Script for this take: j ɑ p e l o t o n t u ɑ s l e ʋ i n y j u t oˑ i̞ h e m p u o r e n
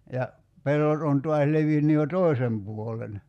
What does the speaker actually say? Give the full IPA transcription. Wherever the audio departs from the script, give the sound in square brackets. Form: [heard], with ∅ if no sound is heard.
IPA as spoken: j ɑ p e [lː] o t o n t u ɑ s l e ʋ i [nː] y j [o] t oˑ i̞ [s] e m p u o [l] e n